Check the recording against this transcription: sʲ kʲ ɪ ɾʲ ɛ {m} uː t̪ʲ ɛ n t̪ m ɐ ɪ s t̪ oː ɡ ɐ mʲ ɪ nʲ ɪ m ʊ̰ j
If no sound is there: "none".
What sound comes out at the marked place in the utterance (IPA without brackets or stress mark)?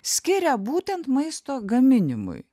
b